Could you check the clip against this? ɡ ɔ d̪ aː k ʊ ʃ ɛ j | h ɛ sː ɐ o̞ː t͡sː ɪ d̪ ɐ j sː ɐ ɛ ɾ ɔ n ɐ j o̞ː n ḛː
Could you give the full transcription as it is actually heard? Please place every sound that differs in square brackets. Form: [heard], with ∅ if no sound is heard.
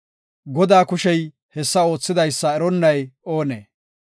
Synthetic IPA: ɡ ɔ d̪ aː k ʊ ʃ ɛ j | h ɛ sː ɐ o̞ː t͡sː ɪ d̪ ɐ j sː ɐ ɛ ɾ ɔ [nː] ɐ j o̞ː n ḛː

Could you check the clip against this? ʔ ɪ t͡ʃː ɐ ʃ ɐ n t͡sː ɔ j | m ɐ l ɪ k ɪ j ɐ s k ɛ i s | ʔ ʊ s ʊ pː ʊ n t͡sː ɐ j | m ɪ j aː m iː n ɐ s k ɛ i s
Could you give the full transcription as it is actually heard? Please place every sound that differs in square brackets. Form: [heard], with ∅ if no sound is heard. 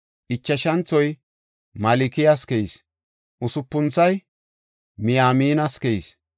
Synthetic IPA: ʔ ɪ t͡ʃː ɐ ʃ ɐ n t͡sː ɔ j | m ɐ l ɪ k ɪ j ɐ s k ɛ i s | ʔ ʊ s ʊ pː ʊ n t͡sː ɐ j | m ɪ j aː m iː n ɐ s k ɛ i s

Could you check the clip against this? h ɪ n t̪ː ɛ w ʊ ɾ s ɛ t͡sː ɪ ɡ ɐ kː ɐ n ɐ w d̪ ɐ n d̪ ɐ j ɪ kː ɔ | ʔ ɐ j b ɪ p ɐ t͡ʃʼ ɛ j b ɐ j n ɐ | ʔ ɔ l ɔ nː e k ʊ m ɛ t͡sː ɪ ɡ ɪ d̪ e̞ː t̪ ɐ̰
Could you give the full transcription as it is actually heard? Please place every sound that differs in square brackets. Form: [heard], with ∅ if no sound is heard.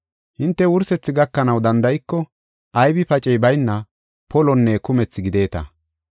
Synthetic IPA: h ɪ n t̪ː ɛ w ʊ ɾ s ɛ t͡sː ɪ ɡ ɐ kː ɐ n ɐ w d̪ ɐ n d̪ ɐ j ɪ kː ɔ | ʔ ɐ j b ɪ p ɐ t͡ʃʼ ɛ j b ɐ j [nː] ɐ | [p] ɔ l ɔ nː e k ʊ m ɛ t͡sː ɪ ɡ ɪ d̪ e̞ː t̪ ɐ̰

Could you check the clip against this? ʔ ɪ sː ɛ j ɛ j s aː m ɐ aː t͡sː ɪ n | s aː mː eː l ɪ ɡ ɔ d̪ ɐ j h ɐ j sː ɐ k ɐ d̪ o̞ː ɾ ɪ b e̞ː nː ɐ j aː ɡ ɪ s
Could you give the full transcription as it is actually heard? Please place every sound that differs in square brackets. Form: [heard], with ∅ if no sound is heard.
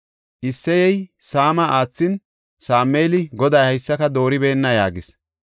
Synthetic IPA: ʔ ɪ sː ɛ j ɛ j s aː m ɐ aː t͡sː ɪ n | s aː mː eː l ɪ ɡ ɔ d̪ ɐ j h ɐ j sː ɐ k ɐ d̪ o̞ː ɾ ɪ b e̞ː nː ɐ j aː ɡ ɪ s

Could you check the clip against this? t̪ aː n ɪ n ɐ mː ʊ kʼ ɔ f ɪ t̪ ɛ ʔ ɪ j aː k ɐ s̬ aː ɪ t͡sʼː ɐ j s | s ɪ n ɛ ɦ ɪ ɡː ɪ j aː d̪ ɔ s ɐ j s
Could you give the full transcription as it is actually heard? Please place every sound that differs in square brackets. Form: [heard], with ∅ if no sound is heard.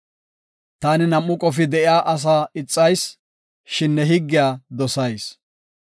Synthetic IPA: t̪ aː n ɪ n ɐ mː ʊ kʼ ɔ f ɪ [d̪] ɛ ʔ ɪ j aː [ʔ] ɐ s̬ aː ɪ t͡sʼː ɐ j s | [ʃ] ɪ [nː] ɛ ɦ ɪ ɡː ɪ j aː d̪ ɔ s ɐ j s

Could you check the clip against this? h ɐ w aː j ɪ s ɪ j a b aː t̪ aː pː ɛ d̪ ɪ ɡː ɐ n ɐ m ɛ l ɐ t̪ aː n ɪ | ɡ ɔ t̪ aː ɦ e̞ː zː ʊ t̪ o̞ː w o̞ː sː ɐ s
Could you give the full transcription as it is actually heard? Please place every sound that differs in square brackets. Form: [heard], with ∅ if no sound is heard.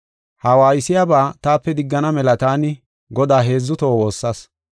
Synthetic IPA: h ɐ w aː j ɪ s ɪ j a b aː t̪ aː pː ɛ d̪ ɪ ɡː ɐ n ɐ m ɛ l ɐ t̪ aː n ɪ | ɡ ɔ [d̪] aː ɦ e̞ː zː ʊ t̪ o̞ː w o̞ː sː ɐ s

